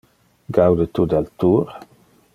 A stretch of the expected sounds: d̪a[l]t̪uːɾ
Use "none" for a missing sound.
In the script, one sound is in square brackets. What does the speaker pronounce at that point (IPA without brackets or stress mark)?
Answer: l